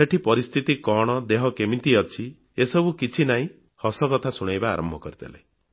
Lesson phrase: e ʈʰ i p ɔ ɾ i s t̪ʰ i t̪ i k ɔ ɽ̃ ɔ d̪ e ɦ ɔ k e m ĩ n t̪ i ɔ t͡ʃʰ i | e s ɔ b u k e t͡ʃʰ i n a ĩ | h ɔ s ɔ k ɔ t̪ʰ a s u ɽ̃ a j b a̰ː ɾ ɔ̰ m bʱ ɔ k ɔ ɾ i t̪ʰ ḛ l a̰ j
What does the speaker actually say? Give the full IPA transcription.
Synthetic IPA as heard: e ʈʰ i p ɔ ɾ i s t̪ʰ i t̪ i k ɔ ɽ̃ ɔ d̪ e ɦ ɔ k e m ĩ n t̪ i ɔ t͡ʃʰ i | e s ɔ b u k i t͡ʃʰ i n a ĩ | h ɔ s ɔ k ɔ t̪ʰ a s u ɽ̃ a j b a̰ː ɾ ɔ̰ m bʱ ɔ k ɔ ɾ i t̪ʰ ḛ l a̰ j